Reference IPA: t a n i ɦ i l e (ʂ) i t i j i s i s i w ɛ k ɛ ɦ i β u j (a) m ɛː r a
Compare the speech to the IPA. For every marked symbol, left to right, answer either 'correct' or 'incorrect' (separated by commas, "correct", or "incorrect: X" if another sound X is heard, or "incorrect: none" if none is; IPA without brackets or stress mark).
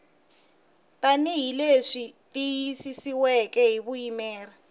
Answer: correct, incorrect: i